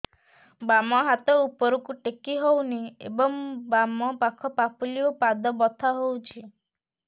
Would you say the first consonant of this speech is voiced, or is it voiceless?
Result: voiced